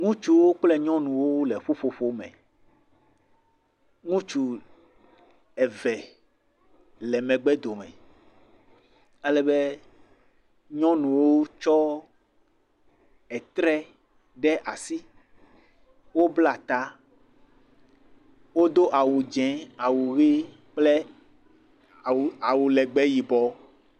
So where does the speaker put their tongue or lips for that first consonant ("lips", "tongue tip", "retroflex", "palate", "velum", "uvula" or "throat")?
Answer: velum